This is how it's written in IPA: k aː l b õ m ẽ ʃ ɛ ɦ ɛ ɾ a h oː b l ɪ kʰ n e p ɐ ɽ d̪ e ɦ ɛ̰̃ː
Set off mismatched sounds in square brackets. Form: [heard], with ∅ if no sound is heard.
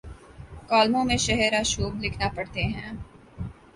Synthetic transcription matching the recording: k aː l [m] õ m ẽ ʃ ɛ ɦ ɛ ɾ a [ʃ] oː b l ɪ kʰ n [a] p ɐ ɽ [t̪] e ɦ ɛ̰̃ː